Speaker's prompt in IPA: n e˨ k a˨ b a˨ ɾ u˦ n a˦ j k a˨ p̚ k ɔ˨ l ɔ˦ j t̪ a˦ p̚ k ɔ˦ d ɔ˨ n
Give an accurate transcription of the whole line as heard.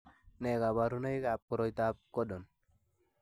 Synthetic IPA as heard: n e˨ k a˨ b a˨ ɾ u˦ n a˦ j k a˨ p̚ k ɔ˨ ɾ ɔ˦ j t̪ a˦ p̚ k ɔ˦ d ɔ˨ n